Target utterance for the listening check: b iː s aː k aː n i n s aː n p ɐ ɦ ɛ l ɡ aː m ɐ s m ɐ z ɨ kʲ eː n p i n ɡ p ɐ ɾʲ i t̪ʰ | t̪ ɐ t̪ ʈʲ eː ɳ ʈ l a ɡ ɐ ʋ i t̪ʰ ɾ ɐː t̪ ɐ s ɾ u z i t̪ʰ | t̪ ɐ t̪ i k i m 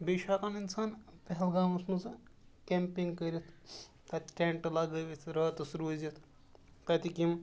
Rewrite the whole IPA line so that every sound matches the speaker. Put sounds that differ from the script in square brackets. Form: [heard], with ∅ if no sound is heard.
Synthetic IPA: b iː [ʃ] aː k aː n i n s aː n p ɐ ɦ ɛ l ɡ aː m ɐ s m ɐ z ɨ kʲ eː [m] p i [ŋ] ɡ [k] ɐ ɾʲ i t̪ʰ | t̪ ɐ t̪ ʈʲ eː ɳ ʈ l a ɡ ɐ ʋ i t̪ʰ ɾ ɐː t̪ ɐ s ɾ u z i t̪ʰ | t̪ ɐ t̪ i k i m